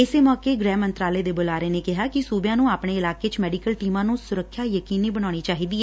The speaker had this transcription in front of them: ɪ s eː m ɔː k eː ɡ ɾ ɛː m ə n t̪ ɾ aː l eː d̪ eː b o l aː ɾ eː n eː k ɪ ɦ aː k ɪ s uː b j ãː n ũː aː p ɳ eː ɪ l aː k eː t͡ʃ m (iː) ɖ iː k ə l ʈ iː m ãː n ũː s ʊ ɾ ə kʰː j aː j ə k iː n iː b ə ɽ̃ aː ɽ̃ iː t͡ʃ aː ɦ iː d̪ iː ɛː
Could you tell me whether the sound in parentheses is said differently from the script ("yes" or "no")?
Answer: yes